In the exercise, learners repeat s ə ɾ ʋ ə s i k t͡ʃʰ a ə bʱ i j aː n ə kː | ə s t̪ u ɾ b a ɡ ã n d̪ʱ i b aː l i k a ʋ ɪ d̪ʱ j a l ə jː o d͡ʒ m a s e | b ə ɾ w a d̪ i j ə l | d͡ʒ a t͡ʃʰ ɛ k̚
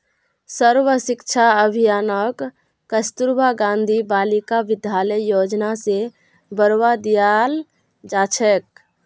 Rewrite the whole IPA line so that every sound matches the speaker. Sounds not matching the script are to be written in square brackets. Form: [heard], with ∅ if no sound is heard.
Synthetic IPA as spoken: s ə ɾ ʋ ə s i k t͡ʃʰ a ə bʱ i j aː n ə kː | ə s t̪ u ɾ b a ɡ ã n d̪ʱ i b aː l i k a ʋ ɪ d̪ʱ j a l ə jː o d͡ʒ [n] a s e | b ə ɾ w a d̪ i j [a] l | d͡ʒ a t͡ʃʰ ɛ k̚